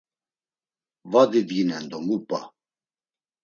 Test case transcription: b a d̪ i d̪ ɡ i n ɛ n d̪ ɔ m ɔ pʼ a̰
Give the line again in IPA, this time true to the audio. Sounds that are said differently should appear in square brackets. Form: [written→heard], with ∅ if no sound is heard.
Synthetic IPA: [b→v] a d̪ i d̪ ɡ i n ɛ n d̪ ɔ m [ɔ→u] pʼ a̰